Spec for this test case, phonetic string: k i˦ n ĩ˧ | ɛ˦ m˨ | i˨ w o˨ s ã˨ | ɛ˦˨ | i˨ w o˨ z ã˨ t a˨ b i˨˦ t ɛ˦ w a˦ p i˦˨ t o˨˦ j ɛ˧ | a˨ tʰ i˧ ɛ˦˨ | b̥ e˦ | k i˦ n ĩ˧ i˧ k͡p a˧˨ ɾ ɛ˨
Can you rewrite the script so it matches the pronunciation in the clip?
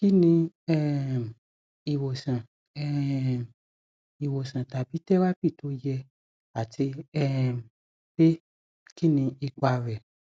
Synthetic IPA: k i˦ n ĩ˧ | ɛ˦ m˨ | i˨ w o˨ s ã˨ | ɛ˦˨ | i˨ w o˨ s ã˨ t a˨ b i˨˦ t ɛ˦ w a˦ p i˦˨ t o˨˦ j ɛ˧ | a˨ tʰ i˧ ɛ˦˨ | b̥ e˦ | k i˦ n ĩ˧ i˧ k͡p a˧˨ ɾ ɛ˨

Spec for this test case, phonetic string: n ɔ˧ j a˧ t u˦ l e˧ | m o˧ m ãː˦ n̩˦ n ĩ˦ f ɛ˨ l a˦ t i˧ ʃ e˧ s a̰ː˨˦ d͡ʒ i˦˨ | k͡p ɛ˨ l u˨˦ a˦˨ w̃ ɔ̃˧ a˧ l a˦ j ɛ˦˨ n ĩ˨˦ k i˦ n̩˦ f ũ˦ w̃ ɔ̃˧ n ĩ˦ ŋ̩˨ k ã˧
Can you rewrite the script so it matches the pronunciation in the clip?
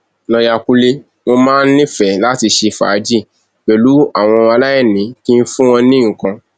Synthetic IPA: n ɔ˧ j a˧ k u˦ l e˧ | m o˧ m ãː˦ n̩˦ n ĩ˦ f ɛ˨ l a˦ t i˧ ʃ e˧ f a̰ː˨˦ d͡ʒ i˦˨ | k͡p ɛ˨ l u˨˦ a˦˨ w̃ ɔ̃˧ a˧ l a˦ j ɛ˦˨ n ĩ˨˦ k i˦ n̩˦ f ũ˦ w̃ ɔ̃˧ n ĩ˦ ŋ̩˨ k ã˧

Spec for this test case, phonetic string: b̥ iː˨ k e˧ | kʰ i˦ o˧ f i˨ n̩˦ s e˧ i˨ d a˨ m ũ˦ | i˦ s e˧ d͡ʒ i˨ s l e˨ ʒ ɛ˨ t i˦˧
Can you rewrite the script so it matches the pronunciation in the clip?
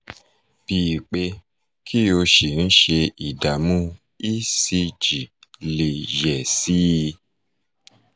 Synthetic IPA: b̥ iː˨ k͡p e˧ | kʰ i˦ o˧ ʃ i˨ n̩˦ ʃ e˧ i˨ d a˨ m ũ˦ | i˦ s i˧ d͡ʒ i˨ l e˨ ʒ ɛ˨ s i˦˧

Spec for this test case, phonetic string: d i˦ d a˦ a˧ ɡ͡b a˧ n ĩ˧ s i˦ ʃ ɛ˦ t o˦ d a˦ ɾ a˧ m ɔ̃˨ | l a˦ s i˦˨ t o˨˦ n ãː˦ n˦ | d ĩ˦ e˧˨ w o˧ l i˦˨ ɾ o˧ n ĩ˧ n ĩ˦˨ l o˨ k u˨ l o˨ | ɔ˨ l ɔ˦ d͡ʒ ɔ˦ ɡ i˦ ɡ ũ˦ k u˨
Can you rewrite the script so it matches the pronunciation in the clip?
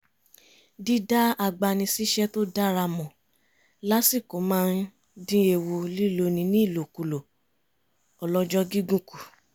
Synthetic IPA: d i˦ d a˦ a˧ ɡ͡b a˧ n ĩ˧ s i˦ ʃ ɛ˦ t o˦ d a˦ ɾ a˧ m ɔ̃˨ | l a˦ s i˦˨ k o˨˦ m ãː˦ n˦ | d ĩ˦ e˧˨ w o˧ l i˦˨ l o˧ n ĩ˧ n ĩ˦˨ l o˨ k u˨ l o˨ | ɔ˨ l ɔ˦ d͡ʒ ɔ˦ ɡ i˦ ɡ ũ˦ k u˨

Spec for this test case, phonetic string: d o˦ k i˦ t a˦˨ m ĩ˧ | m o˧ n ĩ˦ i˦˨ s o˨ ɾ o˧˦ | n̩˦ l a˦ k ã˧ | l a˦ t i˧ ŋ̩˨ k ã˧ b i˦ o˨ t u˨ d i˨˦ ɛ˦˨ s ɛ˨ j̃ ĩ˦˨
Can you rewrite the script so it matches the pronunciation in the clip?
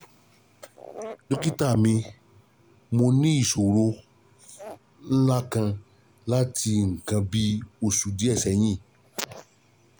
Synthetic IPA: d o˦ k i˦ t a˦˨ m ĩ˧ | m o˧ n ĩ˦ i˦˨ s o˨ ɾ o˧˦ | n̩˦ l a˦ k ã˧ | l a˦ t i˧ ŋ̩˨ k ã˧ b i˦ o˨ s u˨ d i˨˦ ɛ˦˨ s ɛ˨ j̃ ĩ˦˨

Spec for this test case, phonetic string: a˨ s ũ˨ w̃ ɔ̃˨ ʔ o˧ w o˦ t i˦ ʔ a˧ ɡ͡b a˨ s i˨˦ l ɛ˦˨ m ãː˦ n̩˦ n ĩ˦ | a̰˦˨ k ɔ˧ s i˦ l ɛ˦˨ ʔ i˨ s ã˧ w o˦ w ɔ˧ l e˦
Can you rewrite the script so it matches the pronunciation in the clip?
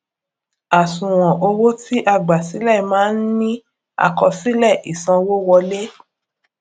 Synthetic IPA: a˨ s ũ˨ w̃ ɔ̃˨ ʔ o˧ w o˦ t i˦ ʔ a˧ ɡ͡b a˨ s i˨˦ l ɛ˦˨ m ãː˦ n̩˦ n ĩ˦ | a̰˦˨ k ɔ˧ s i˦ l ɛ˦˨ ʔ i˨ s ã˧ w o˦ w ɔ˧ l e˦

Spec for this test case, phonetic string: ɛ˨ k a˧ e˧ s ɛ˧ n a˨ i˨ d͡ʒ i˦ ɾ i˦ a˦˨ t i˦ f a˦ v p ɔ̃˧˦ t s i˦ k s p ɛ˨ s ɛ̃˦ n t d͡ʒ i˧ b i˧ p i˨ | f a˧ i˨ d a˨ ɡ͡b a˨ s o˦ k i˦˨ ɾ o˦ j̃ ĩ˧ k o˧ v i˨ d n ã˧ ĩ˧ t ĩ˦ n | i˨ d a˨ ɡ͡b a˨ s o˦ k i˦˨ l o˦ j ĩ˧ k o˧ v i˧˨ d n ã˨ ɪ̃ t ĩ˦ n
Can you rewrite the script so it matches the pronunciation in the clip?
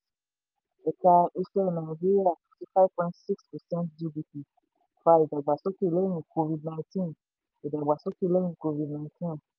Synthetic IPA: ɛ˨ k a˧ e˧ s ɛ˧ n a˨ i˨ d͡ʒ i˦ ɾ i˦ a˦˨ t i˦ f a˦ v p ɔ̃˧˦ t s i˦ k s p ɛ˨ s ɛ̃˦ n t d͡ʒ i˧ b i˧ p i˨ | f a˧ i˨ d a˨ ɡ͡b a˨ s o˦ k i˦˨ l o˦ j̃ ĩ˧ k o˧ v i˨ d n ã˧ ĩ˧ t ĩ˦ n | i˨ d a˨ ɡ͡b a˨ s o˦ k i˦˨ l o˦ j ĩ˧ k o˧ v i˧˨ d n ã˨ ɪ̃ t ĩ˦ n

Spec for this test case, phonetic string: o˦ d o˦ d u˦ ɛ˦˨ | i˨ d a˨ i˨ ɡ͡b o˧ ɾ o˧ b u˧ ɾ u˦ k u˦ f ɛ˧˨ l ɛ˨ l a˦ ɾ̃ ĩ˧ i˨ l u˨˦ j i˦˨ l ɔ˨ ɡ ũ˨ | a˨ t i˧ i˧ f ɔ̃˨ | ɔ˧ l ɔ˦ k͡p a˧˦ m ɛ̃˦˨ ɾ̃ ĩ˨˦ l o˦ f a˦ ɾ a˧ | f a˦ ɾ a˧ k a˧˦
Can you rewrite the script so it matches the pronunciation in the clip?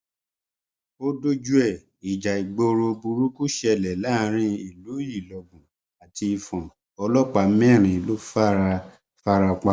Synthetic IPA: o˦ d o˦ d͡ʒ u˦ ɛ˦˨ | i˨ d͡ʒ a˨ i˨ ɡ͡b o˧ ɾ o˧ b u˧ ɾ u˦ k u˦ ʃ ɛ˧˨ l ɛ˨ l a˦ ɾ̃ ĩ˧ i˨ l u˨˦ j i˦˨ l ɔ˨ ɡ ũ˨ | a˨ t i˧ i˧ f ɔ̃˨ | ɔ˧ l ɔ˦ k͡p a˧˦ m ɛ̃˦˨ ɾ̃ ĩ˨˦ l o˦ f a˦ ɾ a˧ | f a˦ ɾ a˧ k͡p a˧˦

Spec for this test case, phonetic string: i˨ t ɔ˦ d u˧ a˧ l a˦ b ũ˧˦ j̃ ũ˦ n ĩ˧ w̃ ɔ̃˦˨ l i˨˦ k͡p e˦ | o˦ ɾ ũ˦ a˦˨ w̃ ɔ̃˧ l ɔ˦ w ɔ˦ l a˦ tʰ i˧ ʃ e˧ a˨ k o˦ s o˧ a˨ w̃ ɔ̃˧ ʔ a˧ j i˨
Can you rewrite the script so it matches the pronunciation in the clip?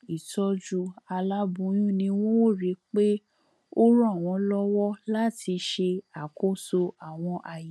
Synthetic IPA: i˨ t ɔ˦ d͡ʒ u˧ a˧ l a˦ b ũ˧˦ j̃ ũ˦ n ĩ˧ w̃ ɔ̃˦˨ ɾ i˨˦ k͡p e˦ | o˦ ɾ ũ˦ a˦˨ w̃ ɔ̃˧ l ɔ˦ w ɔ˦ l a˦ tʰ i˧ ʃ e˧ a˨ k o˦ s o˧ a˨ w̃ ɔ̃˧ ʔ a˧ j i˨

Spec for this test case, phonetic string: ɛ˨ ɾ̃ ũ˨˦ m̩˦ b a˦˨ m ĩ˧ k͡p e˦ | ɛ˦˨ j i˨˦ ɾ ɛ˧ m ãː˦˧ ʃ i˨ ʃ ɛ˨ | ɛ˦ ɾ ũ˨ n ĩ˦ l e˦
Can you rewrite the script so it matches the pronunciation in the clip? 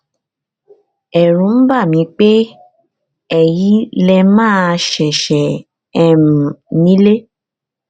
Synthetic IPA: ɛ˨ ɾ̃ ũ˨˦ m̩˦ b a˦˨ m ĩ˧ k͡p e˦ | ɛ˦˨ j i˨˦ l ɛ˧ m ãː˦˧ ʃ ɛ˨ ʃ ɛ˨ | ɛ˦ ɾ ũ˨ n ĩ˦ l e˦

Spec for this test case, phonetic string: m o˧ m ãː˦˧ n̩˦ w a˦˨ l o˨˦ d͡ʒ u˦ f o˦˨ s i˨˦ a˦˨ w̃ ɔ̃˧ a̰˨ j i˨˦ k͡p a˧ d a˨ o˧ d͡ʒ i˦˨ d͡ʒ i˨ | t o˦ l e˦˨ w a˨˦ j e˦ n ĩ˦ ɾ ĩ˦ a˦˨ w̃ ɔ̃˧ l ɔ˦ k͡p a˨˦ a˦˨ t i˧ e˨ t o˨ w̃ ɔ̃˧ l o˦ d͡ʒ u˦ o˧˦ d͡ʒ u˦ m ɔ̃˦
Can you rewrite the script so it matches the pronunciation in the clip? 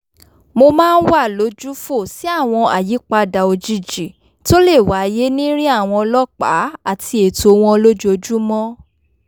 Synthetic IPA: m o˧ m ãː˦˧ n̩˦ w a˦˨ l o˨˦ d͡ʒ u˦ f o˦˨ s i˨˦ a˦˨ w̃ ɔ̃˧ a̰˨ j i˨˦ k͡p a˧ d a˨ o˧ d͡ʒ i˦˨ d͡ʒ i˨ | t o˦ l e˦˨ w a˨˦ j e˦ n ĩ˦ ɾ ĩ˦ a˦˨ w̃ ɔ̃˧ l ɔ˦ k͡p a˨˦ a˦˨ t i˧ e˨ t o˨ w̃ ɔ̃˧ l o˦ d͡ʒ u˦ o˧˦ d͡ʒ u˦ m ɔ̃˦

